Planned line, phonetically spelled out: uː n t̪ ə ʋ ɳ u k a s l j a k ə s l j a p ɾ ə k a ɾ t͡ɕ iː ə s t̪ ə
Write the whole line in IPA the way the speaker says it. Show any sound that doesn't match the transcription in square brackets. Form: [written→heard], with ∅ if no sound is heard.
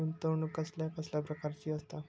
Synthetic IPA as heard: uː n t̪ ə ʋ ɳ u k [a→ə] s l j a k ə s l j a p ɾ ə k a ɾ t͡ɕ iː ə s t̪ [ə→a]